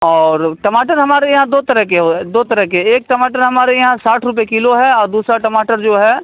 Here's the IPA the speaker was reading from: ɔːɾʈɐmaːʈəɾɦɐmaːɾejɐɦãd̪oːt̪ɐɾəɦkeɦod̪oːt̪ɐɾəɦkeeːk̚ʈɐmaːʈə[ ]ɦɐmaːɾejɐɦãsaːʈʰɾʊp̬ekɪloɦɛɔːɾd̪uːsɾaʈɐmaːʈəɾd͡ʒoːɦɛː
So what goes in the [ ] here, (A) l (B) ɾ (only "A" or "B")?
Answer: B